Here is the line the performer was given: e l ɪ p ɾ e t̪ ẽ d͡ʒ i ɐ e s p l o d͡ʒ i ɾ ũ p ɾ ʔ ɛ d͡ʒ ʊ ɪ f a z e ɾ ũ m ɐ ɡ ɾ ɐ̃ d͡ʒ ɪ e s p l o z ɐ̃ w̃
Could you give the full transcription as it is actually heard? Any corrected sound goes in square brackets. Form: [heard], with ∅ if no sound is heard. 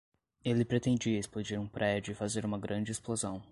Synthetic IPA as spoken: e l ɪ p ɾ e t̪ ẽ d͡ʒ i ɐ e s p l o d͡ʒ i ɾ ũ p ɾ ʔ ɛ d͡ʒ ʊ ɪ f a z e ɾ ũ m ɐ ɡ ɾ ɐ̃ d͡ʒ ɪ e s p l o z ɐ̃ w̃